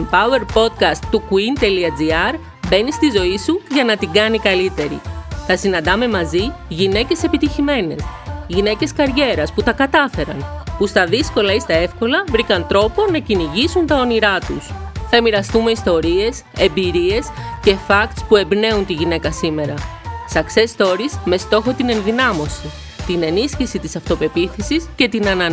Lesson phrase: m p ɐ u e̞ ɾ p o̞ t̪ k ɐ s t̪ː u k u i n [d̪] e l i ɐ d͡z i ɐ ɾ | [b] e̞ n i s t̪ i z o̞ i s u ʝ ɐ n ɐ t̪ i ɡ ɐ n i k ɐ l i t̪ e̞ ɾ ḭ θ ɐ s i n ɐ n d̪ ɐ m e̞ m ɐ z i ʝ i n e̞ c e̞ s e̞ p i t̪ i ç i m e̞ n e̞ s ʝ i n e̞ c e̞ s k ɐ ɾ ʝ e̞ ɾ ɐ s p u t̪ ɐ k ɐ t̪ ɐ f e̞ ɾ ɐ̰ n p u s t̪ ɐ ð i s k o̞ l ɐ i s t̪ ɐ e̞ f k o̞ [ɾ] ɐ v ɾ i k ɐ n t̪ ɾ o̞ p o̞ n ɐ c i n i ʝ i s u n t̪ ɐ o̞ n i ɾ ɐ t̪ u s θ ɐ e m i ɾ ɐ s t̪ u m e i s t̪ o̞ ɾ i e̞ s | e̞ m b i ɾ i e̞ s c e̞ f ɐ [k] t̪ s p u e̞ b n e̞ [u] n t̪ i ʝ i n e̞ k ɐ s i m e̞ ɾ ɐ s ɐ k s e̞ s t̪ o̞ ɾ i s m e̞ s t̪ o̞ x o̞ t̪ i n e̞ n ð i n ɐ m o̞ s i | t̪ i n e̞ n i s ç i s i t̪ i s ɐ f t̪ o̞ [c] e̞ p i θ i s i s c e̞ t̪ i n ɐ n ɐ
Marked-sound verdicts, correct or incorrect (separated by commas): incorrect, correct, incorrect, correct, correct, incorrect